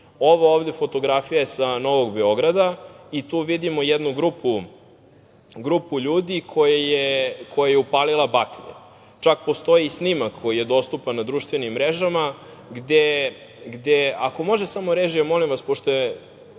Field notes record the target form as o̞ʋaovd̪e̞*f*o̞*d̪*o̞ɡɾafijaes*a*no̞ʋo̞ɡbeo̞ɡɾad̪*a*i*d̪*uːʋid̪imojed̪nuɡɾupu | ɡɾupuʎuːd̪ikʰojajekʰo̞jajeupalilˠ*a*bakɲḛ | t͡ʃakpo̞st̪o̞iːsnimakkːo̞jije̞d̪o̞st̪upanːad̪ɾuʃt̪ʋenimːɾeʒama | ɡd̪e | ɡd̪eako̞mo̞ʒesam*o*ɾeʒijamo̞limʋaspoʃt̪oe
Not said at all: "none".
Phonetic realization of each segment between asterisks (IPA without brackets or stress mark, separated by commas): f, t̪, a, a, t̪, a, o